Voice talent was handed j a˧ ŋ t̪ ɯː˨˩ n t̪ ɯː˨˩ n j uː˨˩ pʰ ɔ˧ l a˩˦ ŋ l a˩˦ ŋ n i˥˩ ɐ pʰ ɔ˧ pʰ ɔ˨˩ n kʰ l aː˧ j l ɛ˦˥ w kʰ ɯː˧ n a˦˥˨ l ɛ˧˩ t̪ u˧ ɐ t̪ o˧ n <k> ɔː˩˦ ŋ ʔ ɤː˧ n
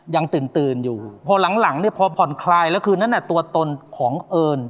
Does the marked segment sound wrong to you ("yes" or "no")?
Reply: yes